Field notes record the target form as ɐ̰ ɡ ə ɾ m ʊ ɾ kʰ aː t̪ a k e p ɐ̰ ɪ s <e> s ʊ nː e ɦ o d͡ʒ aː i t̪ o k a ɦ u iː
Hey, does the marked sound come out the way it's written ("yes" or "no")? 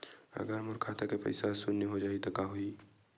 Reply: no